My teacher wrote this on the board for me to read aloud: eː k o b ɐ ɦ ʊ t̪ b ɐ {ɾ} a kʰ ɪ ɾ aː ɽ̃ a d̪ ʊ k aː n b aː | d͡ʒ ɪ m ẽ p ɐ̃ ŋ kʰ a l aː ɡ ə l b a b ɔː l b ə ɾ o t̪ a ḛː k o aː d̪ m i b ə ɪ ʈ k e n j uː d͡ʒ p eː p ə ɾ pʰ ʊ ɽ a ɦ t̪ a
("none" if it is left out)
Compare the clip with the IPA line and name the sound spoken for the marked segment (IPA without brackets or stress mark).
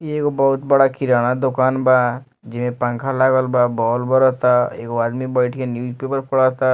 ɽ